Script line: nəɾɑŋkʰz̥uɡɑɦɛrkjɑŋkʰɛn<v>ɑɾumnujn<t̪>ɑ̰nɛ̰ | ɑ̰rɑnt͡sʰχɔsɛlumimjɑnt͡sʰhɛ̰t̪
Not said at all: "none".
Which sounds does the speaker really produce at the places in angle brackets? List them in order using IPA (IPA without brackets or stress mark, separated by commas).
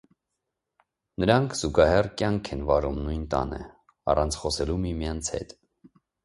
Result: v, t̪